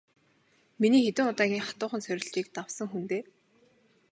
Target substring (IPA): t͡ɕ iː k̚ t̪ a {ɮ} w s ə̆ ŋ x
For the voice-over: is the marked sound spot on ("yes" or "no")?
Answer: no